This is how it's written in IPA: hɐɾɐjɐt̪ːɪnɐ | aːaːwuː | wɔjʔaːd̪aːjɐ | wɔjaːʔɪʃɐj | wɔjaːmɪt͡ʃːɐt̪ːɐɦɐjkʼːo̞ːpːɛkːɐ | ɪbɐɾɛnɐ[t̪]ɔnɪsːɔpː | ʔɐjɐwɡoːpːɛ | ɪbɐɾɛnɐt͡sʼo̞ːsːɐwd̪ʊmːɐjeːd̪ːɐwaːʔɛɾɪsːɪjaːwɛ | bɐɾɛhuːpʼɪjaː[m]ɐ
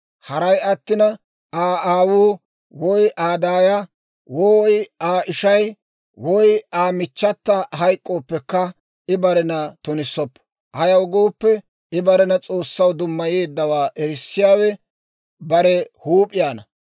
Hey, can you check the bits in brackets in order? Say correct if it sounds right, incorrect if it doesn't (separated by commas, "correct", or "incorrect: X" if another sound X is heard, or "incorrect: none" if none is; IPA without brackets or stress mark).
correct, incorrect: n